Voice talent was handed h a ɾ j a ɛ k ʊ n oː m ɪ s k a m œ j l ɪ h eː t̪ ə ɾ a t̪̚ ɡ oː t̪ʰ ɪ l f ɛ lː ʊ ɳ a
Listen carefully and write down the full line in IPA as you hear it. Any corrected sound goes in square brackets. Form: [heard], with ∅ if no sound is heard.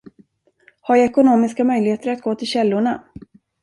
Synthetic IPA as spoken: h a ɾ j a ɛ k ʊ n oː m ɪ s k a m œ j l ɪ h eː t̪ ə ɾ a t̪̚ ɡ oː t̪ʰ ɪ l [ɕ] ɛ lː ʊ ɳ a